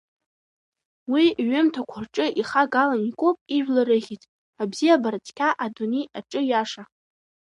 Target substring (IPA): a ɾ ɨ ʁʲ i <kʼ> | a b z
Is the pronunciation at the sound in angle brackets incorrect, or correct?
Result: incorrect: tʼ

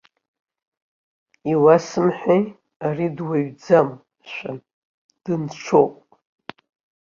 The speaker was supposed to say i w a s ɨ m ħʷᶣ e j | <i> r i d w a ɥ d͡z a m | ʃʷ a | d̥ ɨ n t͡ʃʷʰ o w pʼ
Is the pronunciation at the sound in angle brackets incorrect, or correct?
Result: incorrect: a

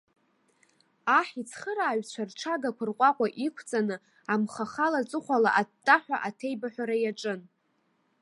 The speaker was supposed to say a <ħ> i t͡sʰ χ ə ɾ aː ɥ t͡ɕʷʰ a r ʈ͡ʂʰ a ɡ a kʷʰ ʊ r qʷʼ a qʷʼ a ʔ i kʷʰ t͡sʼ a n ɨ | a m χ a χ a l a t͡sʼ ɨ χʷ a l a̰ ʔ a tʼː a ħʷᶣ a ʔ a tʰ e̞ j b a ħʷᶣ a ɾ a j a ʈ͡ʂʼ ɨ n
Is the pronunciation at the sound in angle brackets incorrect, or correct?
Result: correct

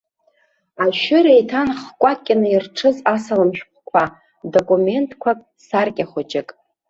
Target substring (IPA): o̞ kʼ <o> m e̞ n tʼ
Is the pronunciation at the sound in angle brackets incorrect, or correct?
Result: incorrect: u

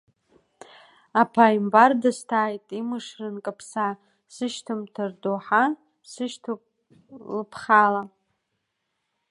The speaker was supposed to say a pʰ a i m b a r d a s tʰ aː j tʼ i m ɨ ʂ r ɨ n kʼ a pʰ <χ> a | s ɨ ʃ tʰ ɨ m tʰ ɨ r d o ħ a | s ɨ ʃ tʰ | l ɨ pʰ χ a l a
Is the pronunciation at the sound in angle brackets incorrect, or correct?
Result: incorrect: s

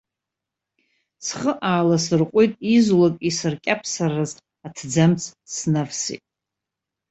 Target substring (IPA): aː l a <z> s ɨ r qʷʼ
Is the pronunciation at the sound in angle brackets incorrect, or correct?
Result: incorrect: none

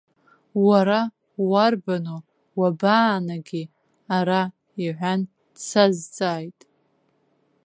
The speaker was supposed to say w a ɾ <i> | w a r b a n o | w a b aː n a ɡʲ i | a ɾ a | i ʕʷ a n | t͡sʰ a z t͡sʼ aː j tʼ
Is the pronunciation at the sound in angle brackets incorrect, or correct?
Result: incorrect: a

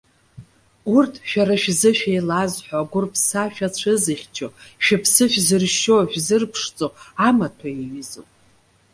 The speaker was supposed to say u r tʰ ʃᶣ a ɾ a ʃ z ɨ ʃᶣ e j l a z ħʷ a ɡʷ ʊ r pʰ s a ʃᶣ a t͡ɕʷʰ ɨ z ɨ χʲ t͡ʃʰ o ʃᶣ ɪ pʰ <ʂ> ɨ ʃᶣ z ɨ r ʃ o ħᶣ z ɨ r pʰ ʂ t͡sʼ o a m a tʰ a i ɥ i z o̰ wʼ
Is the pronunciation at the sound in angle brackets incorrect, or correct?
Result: incorrect: s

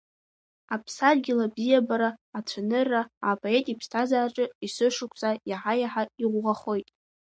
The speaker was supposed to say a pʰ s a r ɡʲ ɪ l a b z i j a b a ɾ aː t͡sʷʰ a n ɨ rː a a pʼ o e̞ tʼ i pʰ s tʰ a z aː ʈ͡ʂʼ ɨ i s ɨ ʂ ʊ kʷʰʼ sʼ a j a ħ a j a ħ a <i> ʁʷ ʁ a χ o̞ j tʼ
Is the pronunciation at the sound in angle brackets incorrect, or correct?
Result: correct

